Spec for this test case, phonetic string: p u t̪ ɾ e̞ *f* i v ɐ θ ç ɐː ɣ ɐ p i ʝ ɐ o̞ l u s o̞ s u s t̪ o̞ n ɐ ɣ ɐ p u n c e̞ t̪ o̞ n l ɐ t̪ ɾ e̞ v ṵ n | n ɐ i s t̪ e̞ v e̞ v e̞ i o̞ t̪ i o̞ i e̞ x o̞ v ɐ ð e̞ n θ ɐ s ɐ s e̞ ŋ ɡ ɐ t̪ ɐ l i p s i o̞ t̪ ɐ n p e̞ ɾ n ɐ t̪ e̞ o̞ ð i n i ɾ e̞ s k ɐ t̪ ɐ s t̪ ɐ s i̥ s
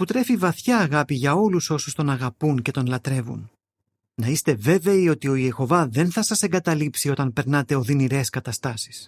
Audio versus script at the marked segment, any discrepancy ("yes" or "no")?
no